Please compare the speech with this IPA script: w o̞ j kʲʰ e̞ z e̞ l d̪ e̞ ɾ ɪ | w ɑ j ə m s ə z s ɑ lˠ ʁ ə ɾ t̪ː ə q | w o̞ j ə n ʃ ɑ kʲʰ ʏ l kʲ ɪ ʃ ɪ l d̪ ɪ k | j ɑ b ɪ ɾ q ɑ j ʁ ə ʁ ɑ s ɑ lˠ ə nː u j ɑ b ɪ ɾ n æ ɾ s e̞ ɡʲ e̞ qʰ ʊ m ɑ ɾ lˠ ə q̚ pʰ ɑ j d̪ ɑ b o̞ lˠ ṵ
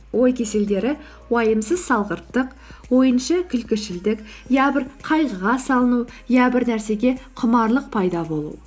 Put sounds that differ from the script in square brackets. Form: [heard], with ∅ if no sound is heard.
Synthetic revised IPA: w o̞ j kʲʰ e̞ [s] e̞ l d̪ e̞ ɾ ɪ | w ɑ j ə m s ə z s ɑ lˠ ʁ ə ɾ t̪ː ə q | w o̞ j ə n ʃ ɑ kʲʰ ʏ l kʲ ɪ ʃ ɪ l d̪ ɪ k | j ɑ b ɪ ɾ [qʰ] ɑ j ʁ ə ʁ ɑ s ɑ lˠ ə [n] u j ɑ b ɪ ɾ n æ ɾ s e̞ ɡʲ e̞ qʰ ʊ m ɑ ɾ lˠ ə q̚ pʰ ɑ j d̪ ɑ b o̞ lˠ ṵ